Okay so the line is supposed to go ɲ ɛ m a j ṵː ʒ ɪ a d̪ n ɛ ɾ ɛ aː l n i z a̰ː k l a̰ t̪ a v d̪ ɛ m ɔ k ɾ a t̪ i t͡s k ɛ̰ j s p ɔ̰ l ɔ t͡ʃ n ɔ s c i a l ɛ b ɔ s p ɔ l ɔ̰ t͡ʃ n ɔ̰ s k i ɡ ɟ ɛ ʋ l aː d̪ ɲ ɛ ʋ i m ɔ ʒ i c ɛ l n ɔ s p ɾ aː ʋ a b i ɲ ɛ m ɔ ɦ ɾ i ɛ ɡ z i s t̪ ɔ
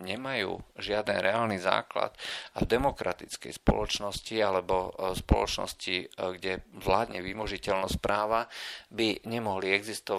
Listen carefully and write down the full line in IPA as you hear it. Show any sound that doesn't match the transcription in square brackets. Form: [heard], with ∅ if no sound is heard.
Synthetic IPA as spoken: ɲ ɛ m a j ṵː ʒ ɪ a d̪ n ɛ ɾ ɛ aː l n i z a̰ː k l a̰ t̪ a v d̪ ɛ m ɔ k ɾ a t̪ i t͡s k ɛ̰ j s p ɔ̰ l ɔ t͡ʃ n ɔ s c i a l ɛ b ɔ s p ɔ l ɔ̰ t͡ʃ n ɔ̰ s [c] i ɡ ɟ ɛ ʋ l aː d̪ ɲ ɛ ʋ i m ɔ ʒ i c ɛ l n ɔ s p ɾ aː ʋ a b i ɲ ɛ m ɔ ɦ [l] i ɛ ɡ z i s t̪ ɔ